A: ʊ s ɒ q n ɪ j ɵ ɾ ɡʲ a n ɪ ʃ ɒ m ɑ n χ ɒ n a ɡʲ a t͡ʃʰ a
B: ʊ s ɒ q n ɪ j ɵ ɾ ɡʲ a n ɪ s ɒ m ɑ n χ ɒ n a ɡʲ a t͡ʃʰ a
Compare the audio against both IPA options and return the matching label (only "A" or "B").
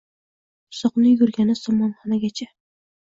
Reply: B